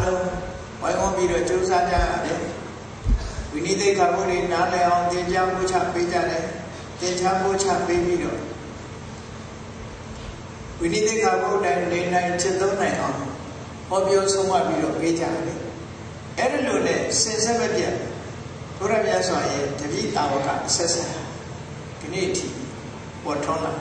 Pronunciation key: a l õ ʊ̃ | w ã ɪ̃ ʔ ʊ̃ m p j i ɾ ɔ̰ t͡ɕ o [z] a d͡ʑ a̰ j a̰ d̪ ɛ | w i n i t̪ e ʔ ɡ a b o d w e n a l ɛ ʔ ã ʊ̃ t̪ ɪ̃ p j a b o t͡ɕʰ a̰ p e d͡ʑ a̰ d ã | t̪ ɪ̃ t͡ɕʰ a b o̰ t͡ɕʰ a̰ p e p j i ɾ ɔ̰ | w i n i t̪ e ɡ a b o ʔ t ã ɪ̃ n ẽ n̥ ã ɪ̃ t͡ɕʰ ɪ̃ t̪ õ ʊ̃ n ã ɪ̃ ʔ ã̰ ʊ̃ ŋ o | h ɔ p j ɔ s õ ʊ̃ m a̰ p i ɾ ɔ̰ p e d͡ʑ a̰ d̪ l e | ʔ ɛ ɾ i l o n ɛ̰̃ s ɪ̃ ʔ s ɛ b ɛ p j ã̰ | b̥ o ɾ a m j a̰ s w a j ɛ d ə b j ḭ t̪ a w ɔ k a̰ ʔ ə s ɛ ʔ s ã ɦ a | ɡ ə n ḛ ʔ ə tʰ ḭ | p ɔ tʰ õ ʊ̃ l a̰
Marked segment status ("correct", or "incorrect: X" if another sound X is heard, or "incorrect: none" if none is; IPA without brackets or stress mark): correct